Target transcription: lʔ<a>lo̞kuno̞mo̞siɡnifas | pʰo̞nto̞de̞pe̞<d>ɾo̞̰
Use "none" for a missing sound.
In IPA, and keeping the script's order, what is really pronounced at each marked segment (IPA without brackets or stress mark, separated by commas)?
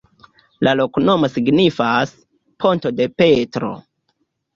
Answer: a, t